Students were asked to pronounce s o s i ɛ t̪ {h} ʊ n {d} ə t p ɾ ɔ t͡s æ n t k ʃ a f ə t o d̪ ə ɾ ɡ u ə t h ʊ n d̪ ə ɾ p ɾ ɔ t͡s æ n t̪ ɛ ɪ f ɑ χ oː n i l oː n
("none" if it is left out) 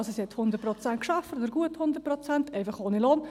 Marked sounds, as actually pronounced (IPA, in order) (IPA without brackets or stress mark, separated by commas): h, d